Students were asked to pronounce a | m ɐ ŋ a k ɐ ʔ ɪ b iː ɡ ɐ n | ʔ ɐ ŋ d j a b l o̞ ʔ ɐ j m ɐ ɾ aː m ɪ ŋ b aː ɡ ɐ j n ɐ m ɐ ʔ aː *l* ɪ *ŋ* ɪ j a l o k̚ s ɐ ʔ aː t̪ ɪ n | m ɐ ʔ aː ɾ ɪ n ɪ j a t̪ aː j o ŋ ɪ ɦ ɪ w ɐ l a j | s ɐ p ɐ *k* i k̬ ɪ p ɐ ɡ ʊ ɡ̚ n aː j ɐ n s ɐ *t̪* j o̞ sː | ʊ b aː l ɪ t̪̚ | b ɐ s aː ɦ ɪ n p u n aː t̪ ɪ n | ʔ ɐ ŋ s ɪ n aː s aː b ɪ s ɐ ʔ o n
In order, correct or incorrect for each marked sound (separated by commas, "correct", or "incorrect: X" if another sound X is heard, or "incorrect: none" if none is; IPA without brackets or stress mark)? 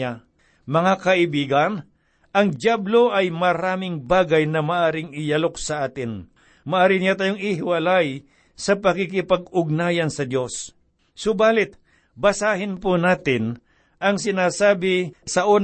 incorrect: ɾ, correct, correct, incorrect: d̪